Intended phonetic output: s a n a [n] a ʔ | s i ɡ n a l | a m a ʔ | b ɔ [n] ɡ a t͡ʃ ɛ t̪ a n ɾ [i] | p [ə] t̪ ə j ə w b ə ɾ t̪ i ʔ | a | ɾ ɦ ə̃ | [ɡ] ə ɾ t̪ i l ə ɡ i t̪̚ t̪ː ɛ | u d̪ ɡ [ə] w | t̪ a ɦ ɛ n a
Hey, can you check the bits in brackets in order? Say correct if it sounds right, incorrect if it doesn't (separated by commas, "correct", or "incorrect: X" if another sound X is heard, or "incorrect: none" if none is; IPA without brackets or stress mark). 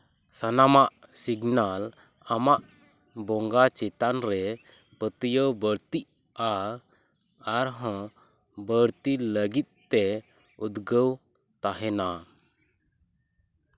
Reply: incorrect: m, incorrect: ŋ, incorrect: ɛ, correct, incorrect: b, correct